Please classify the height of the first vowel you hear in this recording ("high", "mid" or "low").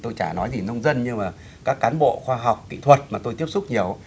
mid